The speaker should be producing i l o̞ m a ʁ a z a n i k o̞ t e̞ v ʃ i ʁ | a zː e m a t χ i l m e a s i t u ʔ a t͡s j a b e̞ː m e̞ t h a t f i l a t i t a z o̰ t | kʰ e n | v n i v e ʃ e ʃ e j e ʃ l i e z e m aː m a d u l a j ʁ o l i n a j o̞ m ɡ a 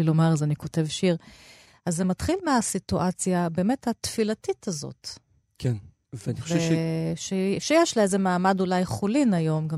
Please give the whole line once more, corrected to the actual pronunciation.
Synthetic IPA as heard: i l o̞ m a ʁ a z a n i k o̞ t e̞ v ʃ i ʁ | a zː e m a t χ i l m e a s i t u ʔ a t͡s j a b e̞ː m e̞ t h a t f i l a t i t a z o̰ t | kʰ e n | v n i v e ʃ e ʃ e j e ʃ l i e z e m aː m a d u l a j χ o l i n a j o̞ m ɡ a